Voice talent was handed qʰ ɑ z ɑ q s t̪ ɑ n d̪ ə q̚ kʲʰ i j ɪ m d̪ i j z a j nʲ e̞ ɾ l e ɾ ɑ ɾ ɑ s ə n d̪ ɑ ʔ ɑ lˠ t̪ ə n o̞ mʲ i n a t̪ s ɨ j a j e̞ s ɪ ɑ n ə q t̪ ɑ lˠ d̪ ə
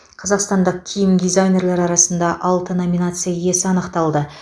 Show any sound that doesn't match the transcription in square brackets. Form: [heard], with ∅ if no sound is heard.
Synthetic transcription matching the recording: qʰ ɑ z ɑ q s t̪ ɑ n d̪ ə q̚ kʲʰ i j ɪ m d̪ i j z a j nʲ e̞ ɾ l e ɾ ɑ ɾ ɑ s ə n d̪ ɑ ʔ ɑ lˠ t̪ ə n o̞ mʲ i n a t̪ s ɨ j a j e̞ s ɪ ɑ n ə q t̪ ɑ lˠ d̪ ə